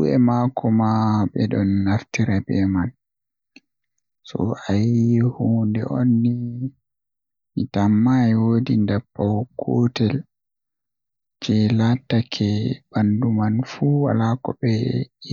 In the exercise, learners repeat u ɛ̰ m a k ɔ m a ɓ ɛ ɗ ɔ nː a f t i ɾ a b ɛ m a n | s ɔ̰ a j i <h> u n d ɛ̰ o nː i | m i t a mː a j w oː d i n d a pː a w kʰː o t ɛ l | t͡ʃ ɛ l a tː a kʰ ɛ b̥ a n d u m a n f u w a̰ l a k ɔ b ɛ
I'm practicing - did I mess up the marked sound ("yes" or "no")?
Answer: no